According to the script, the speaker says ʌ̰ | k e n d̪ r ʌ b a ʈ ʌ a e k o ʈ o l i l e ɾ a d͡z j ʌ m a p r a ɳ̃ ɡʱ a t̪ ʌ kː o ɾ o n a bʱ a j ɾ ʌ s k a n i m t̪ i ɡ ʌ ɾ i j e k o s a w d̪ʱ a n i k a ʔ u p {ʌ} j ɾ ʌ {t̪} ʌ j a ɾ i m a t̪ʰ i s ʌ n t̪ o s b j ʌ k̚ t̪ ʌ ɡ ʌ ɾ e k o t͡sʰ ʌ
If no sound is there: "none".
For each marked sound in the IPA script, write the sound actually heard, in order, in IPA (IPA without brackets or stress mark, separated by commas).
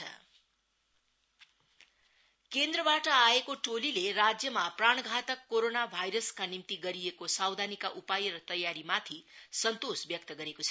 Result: a, t̪